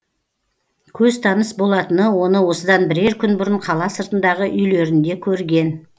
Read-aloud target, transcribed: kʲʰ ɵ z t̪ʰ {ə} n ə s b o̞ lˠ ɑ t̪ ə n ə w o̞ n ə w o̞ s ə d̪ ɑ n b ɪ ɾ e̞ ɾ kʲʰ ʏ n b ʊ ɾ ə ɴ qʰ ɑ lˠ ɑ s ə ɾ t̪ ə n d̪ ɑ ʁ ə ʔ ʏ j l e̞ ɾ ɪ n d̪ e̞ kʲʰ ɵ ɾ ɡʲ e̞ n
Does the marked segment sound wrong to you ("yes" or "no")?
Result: yes